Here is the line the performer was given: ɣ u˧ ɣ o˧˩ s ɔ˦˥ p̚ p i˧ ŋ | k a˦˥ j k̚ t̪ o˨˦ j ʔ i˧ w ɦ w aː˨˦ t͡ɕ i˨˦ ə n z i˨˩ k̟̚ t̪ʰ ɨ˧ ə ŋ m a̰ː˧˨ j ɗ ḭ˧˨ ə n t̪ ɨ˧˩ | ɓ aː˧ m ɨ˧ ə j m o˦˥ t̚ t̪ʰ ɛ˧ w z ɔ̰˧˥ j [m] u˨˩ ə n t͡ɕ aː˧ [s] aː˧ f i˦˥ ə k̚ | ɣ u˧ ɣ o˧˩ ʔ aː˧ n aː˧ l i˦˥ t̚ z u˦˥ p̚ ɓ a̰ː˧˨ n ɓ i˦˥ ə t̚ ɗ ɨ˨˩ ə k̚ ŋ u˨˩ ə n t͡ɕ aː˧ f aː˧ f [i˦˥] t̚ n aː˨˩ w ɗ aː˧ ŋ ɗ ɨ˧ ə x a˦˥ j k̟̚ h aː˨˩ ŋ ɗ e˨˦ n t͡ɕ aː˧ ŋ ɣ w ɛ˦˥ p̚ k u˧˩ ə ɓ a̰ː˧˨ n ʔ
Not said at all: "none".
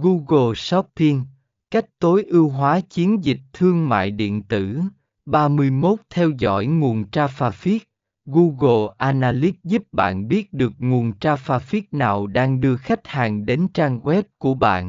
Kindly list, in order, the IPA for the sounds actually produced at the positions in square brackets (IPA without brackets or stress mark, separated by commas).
ŋ, f, i˦˥